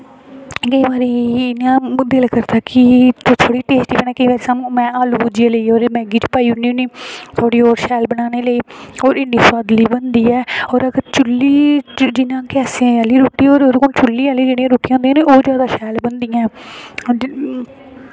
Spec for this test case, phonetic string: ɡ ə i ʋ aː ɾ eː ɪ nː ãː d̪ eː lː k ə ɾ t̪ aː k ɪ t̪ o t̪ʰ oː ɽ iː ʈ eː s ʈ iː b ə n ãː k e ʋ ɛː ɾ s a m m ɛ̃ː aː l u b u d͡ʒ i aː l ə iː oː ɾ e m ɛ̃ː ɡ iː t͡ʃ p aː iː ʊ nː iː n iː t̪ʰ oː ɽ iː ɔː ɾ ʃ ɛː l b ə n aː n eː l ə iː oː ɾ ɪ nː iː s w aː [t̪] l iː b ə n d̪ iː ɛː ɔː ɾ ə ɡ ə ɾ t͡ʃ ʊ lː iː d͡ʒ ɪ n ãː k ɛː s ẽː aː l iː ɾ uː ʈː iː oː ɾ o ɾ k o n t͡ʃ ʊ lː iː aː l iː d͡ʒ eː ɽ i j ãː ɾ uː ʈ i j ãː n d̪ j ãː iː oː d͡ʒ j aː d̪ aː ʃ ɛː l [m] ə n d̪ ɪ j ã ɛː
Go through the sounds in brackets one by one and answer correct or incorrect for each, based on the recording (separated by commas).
incorrect, incorrect